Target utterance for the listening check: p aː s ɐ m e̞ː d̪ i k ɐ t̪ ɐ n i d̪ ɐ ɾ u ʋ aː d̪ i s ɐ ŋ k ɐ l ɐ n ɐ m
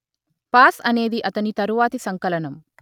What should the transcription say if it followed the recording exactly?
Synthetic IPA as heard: p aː s ɐ n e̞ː d̪ i ʔ ɐ t̪ ɐ n i t̪ ɐ ɾ u ʋ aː t̪ i s ɐ ŋ k ɐ l ɐ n ɐ m